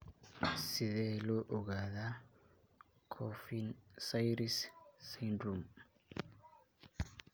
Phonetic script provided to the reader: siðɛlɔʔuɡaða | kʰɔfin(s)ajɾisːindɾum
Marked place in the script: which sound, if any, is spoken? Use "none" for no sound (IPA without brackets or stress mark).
s